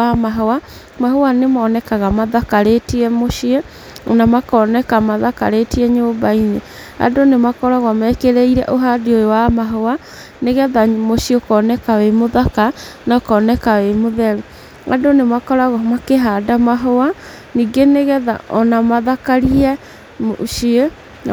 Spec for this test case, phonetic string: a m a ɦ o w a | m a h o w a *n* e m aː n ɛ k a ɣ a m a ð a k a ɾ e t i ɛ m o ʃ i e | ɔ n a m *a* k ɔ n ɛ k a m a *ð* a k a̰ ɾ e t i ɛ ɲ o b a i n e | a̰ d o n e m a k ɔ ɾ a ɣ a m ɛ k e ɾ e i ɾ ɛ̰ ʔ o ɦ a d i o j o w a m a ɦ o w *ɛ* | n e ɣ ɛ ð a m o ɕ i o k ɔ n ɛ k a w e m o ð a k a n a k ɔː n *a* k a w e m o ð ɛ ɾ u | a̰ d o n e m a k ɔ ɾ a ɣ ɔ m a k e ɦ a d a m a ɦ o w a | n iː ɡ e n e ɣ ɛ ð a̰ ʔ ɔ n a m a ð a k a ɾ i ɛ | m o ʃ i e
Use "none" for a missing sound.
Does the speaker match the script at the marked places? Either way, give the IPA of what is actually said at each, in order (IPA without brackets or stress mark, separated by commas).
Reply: n, a, ð, a, ɛ